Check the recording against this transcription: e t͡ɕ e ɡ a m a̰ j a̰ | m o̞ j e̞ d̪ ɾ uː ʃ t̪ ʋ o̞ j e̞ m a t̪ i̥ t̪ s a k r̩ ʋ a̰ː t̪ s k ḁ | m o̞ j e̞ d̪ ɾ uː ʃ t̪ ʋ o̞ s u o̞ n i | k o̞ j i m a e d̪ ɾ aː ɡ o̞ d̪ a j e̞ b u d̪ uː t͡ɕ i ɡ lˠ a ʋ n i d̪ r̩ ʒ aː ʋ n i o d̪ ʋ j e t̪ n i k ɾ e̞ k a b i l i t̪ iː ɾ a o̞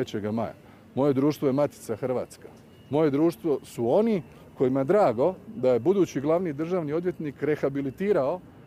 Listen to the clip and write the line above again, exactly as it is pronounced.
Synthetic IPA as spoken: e t͡ɕ e ɡ a m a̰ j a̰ | m o̞ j e̞ d̪ ɾ uː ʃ t̪ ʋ o̞ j e̞ m a t̪ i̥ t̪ s a x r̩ ʋ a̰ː t̪ s k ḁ | m o̞ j e̞ d̪ ɾ uː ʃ t̪ ʋ o̞ s u o̞ n i | k o̞ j i m a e d̪ ɾ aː ɡ o̞ d̪ a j e̞ b u d̪ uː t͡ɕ i ɡ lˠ a ʋ n i d̪ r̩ ʒ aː ʋ n i o d̪ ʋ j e t̪ n i k ɾ e̞ x a b i l i t̪ iː ɾ a o̞